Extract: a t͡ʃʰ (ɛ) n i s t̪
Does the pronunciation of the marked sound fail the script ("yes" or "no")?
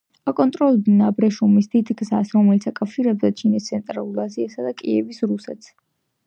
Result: yes